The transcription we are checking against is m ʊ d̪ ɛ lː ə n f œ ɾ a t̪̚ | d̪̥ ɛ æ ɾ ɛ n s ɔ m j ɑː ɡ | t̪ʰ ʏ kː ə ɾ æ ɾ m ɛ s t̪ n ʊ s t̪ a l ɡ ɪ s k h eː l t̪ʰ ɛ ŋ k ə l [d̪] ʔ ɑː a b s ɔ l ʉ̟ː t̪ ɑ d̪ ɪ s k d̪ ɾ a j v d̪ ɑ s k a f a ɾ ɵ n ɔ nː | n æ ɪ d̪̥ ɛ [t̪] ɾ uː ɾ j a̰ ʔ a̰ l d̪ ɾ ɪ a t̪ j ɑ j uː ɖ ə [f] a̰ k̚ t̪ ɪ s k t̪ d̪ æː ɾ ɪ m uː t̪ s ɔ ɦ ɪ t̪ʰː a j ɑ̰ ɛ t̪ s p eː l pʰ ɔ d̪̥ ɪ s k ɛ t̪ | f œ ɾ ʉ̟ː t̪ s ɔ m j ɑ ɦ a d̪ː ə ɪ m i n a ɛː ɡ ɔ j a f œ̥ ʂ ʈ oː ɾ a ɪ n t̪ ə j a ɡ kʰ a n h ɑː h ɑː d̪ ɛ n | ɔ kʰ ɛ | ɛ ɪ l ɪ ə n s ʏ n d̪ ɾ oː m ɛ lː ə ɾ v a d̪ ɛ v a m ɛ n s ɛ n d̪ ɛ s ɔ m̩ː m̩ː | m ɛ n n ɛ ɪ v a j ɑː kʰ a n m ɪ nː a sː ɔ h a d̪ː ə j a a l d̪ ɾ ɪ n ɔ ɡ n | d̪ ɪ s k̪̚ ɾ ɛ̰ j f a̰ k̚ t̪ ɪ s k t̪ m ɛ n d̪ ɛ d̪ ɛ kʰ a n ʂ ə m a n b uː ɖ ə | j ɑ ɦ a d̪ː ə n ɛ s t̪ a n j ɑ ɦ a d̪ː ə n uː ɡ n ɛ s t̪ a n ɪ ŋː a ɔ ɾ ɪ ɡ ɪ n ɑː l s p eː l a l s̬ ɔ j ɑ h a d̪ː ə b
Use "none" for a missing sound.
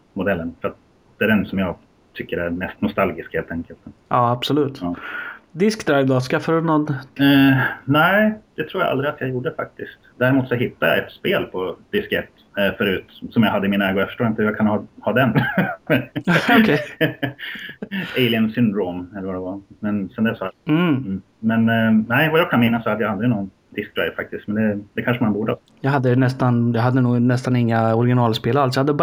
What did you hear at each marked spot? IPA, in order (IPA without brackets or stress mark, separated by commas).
t̪, t̪ʰ, f